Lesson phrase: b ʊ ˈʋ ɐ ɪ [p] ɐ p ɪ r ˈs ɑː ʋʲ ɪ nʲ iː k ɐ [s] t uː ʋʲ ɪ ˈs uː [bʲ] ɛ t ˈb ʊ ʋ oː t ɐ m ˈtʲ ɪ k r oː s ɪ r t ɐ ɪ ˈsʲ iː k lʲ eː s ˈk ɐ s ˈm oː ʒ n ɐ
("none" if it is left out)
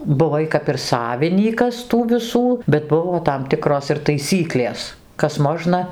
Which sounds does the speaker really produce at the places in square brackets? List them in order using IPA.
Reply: k, s, bʲ

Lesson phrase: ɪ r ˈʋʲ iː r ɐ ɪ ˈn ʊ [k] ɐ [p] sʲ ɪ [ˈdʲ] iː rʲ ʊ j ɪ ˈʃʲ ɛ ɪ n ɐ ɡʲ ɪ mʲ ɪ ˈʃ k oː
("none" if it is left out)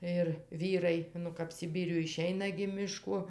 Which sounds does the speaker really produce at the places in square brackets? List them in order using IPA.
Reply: k, p, bʲ

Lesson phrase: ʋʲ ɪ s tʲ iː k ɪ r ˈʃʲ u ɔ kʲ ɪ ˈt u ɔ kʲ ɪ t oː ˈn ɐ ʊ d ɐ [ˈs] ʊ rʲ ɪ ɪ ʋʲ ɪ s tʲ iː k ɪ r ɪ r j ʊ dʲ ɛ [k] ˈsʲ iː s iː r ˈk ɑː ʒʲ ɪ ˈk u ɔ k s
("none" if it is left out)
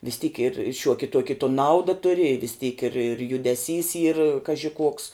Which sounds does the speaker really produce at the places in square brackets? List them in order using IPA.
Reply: t, none

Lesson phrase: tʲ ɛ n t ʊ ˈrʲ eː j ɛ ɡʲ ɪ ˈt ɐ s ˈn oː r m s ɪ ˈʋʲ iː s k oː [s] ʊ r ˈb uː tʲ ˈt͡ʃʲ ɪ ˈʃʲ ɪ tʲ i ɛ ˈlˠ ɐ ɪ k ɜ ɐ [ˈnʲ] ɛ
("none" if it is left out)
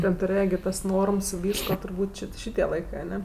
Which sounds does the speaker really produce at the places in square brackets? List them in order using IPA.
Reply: t, nʲ

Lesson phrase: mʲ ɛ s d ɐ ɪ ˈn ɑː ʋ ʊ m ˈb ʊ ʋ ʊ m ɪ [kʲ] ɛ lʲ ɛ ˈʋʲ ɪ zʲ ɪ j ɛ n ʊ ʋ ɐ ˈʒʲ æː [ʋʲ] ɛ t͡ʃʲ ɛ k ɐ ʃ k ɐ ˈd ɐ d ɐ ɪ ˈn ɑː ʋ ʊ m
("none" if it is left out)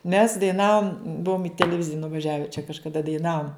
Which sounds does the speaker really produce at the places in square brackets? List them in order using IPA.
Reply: tʲ, ʋʲ

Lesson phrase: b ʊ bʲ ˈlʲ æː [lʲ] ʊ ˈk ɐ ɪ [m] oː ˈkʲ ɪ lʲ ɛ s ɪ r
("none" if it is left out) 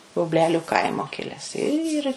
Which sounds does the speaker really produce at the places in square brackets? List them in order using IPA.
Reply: lʲ, m

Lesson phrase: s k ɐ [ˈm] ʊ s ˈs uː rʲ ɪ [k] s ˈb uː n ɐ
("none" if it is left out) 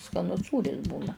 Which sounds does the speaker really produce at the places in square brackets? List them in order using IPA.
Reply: n, none

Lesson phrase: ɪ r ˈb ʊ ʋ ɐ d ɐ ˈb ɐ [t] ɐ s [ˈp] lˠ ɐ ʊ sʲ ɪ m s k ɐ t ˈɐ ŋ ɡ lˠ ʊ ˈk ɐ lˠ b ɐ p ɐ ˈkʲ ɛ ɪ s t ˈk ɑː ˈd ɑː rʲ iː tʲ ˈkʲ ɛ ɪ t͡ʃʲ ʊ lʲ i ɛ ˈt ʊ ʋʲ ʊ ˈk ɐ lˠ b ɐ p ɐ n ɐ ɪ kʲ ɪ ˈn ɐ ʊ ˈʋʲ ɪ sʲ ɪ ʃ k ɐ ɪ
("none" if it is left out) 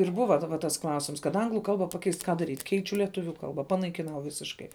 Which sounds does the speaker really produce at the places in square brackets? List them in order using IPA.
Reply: t, k

